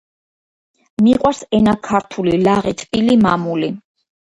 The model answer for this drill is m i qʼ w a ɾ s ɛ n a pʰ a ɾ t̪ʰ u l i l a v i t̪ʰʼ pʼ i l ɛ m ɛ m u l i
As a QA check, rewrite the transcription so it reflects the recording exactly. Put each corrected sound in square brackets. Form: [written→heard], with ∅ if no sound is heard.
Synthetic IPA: m i qʼ w a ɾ s ɛ n a [pʰ→kʰ] a ɾ t̪ʰ u l i l a [v→ʁ] i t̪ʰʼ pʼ i l [ɛ→i] m [ɛ→a] m u l i